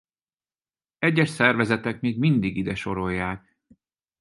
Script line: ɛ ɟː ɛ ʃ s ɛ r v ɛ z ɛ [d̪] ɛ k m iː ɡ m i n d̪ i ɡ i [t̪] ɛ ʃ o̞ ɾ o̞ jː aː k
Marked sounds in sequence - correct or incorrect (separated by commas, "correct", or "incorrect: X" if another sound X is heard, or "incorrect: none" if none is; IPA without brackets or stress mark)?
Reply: incorrect: t̪, incorrect: d̪